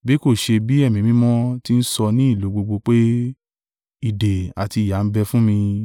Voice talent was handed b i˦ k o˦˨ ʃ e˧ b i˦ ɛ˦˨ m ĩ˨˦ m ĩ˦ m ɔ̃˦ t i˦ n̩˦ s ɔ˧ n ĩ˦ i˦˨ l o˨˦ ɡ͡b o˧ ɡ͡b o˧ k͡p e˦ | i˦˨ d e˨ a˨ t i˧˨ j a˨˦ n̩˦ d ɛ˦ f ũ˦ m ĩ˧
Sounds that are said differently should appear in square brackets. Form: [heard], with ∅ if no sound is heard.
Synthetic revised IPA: b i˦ k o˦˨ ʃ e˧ b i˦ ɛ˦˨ m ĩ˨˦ m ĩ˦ m ɔ̃˦ t i˦ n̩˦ s ɔ˧ n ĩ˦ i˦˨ l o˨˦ ɡ͡b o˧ ɡ͡b o˧ k͡p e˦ | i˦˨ d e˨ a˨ t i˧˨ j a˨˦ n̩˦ [b] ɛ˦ f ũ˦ m ĩ˧